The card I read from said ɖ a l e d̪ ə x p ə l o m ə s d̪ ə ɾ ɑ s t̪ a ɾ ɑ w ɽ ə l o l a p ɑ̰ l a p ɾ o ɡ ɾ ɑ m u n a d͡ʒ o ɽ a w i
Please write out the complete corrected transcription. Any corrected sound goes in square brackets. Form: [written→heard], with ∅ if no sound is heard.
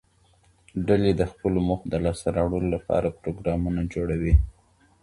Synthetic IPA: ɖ a l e d̪ ə x p ə l o m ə [s→x] d̪ ə [ɾ→l] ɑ s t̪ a ɾ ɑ w ɽ ə l o l a p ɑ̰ [l→ɾ] a p ɾ o ɡ ɾ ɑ m u n a d͡ʒ o ɽ a w i